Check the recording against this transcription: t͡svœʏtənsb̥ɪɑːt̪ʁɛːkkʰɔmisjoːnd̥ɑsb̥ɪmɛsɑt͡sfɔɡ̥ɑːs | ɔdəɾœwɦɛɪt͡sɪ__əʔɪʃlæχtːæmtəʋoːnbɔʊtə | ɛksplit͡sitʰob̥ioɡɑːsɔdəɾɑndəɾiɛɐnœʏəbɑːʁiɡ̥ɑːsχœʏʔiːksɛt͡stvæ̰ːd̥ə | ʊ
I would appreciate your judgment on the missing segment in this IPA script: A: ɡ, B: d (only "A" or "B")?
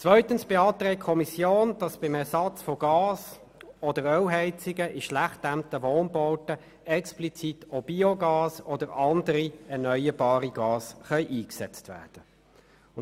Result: A